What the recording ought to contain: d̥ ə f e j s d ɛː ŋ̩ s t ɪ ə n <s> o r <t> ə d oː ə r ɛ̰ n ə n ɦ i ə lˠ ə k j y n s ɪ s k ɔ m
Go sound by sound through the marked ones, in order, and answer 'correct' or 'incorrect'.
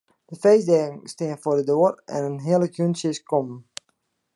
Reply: incorrect, incorrect

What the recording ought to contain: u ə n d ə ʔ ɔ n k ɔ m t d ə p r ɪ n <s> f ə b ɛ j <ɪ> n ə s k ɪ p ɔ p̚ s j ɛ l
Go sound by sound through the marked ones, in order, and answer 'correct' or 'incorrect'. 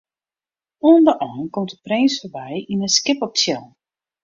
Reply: correct, incorrect

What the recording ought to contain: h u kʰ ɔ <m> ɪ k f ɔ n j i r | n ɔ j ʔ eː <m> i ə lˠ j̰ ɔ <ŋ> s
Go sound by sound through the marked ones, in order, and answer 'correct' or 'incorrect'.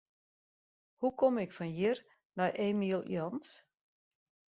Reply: correct, correct, incorrect

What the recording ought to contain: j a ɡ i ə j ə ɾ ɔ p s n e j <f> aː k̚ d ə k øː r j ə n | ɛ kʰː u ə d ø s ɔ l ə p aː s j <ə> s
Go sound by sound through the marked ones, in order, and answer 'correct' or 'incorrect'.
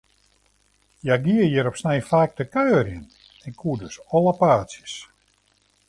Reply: correct, correct

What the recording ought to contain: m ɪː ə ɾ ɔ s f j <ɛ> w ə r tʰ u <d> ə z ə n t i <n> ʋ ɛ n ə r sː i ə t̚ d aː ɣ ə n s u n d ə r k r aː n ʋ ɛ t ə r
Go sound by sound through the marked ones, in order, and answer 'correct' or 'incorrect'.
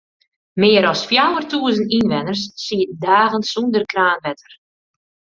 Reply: incorrect, incorrect, correct

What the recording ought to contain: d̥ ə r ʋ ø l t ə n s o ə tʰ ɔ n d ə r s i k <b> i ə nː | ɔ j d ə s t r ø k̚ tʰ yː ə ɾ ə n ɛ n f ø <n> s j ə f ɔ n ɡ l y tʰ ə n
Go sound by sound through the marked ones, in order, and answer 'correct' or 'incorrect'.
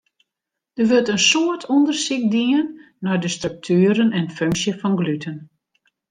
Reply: incorrect, incorrect

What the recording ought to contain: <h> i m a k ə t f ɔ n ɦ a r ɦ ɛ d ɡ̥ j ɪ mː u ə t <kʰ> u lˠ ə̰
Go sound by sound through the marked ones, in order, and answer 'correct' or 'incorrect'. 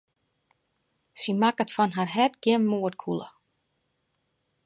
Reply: incorrect, correct

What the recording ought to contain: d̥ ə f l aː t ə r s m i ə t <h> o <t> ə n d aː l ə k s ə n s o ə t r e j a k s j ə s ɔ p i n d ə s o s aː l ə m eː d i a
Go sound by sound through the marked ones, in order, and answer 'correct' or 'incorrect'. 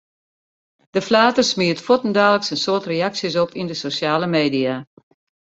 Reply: incorrect, correct

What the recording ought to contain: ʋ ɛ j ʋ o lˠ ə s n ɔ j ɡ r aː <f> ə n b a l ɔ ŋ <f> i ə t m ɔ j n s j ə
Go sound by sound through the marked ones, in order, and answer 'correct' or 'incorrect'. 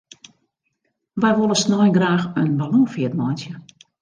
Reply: incorrect, correct

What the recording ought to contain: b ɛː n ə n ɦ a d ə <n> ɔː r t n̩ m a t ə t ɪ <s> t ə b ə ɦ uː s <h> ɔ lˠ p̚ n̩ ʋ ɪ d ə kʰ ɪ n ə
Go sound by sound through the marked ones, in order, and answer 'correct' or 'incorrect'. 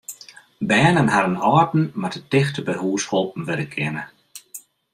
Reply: correct, incorrect, correct

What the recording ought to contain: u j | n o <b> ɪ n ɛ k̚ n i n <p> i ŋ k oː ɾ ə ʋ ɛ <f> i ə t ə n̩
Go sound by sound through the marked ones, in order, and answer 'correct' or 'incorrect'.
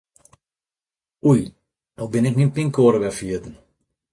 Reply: correct, correct, correct

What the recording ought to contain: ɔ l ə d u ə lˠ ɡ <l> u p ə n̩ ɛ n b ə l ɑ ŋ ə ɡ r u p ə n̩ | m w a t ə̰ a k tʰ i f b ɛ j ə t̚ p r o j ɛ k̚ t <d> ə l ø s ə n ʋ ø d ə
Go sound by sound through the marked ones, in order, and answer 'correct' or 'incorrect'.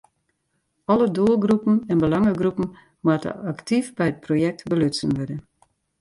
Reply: incorrect, incorrect

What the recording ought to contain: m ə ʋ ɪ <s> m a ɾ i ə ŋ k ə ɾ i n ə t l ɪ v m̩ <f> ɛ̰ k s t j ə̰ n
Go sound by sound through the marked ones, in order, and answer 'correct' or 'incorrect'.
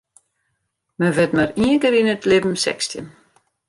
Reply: incorrect, incorrect

